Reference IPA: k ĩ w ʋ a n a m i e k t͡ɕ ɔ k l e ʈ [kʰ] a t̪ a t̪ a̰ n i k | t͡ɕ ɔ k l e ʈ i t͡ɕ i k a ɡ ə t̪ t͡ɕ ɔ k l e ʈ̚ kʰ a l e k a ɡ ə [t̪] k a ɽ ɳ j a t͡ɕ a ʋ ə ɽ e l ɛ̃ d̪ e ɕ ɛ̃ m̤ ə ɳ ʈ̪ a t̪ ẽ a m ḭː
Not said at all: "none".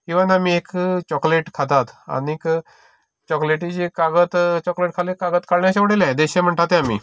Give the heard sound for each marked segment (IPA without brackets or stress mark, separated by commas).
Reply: kʰ, t̪